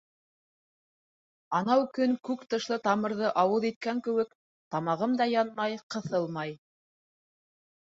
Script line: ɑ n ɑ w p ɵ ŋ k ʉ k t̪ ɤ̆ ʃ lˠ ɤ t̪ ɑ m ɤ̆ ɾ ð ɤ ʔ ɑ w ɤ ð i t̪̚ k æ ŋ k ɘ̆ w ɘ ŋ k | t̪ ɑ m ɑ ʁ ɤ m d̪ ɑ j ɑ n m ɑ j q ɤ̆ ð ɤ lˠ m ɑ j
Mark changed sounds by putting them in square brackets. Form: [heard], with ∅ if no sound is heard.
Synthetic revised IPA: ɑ n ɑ w [k] ɵ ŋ k ʉ k t̪ ɤ̆ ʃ lˠ ɤ t̪ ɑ m ɤ̆ ɾ ð ɤ ʔ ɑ w ɤ ð i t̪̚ k æ ŋ k ɘ̆ w ɘ [∅] k | t̪ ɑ m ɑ ʁ ɤ m d̪ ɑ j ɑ n m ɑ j q ɤ̆ [θ] ɤ lˠ m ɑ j